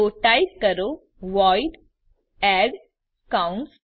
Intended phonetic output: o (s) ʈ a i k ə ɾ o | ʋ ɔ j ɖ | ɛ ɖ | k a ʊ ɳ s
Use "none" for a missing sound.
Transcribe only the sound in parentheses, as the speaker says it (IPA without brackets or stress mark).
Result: none